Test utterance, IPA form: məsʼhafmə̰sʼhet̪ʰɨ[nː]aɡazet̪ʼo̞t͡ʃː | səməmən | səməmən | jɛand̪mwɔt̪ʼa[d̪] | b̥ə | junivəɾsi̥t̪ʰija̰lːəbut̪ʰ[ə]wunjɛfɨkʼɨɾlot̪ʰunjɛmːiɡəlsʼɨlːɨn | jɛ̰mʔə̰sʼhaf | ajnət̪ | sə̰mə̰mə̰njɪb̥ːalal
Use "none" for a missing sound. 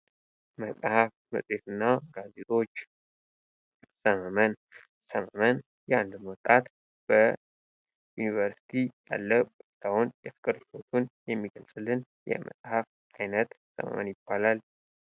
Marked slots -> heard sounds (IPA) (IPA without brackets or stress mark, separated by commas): nː, t̪, a